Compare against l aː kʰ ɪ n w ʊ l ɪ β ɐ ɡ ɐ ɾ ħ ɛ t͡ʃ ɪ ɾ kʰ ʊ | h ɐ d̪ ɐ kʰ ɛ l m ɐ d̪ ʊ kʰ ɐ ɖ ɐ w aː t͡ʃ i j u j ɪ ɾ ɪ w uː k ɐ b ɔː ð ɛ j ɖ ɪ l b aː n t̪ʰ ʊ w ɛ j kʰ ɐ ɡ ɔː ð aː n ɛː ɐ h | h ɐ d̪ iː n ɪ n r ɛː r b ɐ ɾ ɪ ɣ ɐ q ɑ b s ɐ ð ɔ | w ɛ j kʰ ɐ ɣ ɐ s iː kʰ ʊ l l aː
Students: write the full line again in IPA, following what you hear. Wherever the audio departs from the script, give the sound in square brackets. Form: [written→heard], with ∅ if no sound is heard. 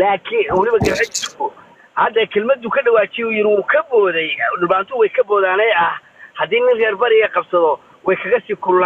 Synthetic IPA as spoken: l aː kʰ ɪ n w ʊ l ɪ β ɐ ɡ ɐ ɾ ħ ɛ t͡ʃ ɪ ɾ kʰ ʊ | h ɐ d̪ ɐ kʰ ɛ l m ɐ d̪ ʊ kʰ ɐ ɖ ɐ w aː t͡ʃ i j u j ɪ ɾ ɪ w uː [k→kʰ] ɐ b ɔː ð ɛ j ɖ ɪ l b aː n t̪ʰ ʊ w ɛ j kʰ ɐ [ɡ→b] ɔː ð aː n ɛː ɐ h | h ɐ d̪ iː n ɪ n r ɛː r b ɐ ɾ ɪ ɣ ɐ q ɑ b s ɐ ð ɔ | w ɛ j kʰ ɐ ɣ ɐ s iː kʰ ʊ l l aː